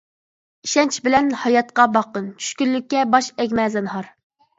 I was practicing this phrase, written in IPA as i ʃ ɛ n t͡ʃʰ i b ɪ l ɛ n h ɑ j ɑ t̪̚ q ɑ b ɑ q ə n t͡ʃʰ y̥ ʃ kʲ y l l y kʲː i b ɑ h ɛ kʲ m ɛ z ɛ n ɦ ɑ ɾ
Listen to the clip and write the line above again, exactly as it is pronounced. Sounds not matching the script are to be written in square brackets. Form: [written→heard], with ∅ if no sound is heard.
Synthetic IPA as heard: i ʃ ɛ n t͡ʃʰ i b ɪ l ɛ n h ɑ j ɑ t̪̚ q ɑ b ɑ q ə n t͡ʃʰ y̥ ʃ kʲ y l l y kʲː [i→ɛ] b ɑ [h→ʃ] ɛ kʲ m ɛ z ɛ n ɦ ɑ ɾ